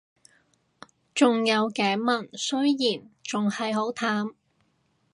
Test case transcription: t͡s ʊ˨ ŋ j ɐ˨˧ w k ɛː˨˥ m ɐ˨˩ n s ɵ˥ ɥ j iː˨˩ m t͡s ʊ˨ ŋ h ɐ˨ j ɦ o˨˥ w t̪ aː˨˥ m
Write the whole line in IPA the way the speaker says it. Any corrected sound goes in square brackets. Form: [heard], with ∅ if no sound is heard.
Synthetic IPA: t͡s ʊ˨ ŋ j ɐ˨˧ w k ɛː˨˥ m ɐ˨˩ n s ɵ˥ ɥ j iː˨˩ [n] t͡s ʊ˨ ŋ h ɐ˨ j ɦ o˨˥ w [t̪ʰ] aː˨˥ m